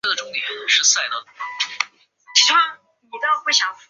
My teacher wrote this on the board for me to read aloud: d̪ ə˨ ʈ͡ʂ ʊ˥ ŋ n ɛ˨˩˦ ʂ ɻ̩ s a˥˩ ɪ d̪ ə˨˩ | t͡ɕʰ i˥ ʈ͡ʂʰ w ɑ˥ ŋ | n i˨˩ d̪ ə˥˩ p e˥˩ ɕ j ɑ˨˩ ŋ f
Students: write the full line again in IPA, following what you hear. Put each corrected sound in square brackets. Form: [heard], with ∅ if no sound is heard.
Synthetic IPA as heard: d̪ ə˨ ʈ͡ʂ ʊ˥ ŋ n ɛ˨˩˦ ʂ ɻ̩ s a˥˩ ɪ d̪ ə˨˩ | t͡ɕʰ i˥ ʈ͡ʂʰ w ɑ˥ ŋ | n i˨˩ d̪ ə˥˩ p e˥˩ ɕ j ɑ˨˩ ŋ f